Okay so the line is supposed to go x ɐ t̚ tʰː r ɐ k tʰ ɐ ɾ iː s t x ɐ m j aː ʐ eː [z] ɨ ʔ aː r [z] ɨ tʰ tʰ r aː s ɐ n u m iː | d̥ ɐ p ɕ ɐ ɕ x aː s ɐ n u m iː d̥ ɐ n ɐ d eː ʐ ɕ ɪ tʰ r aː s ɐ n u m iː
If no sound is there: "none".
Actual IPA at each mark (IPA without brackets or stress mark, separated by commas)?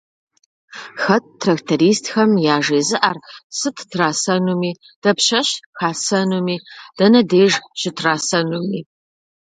z, s